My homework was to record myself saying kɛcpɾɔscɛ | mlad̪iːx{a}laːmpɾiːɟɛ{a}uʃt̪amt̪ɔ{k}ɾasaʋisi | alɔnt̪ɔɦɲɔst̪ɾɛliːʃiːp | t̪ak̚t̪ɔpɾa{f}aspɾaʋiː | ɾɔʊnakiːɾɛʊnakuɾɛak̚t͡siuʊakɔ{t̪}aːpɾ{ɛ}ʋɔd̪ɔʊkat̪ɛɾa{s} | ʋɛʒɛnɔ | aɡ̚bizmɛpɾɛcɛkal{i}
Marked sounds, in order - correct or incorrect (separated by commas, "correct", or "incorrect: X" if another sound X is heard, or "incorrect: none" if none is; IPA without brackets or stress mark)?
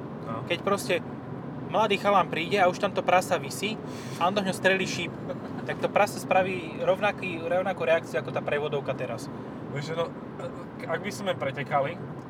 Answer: correct, correct, incorrect: p, incorrect: s, correct, correct, correct, correct